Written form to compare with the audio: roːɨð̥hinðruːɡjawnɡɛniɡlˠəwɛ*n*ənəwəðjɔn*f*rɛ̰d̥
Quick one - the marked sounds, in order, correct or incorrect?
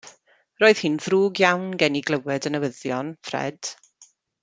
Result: incorrect, correct

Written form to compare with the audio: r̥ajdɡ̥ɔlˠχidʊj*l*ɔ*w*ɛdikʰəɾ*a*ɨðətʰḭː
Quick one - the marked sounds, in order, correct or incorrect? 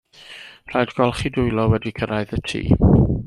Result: correct, correct, correct

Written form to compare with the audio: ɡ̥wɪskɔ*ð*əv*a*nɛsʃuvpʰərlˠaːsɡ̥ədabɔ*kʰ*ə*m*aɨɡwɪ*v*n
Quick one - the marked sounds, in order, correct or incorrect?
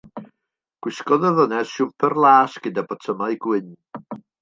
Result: correct, incorrect, incorrect, correct, incorrect

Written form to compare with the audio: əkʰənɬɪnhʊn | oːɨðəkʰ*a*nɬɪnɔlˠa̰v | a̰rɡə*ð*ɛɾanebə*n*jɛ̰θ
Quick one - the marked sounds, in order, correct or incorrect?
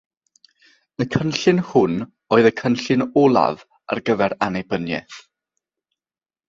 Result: incorrect, incorrect, correct

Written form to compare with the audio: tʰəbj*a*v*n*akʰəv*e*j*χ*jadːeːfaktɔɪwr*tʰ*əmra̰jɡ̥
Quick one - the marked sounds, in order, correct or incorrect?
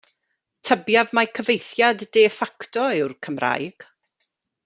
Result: correct, incorrect, correct, incorrect, incorrect

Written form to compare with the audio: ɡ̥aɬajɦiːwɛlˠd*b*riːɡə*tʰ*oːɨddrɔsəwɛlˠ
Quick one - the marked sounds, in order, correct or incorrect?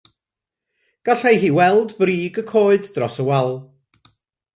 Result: correct, incorrect

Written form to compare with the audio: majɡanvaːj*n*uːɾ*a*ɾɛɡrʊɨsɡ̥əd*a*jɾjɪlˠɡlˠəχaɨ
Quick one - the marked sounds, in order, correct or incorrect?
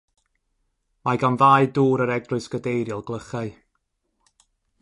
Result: incorrect, incorrect, incorrect

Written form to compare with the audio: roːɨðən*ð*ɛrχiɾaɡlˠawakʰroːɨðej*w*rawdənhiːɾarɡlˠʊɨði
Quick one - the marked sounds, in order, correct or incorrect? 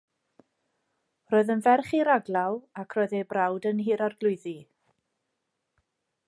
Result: incorrect, incorrect

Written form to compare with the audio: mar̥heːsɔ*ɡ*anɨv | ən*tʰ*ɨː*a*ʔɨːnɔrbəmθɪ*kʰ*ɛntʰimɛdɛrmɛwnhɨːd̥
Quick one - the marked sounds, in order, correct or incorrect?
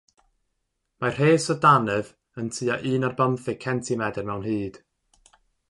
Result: incorrect, correct, correct, correct

